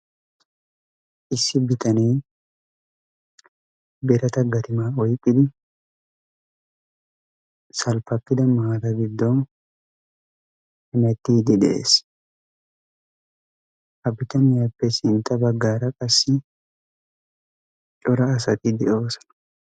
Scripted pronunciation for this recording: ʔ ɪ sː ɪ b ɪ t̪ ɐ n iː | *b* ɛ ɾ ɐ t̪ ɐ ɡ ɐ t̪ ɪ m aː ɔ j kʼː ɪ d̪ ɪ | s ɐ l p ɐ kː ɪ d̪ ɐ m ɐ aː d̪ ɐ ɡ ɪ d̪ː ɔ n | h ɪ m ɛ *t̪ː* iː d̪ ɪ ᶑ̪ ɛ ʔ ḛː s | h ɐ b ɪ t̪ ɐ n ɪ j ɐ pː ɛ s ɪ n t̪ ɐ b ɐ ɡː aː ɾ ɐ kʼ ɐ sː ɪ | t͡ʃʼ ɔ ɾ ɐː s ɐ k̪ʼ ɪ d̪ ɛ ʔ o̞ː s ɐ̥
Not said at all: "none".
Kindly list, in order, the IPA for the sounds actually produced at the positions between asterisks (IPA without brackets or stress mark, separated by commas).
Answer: b, t̪ː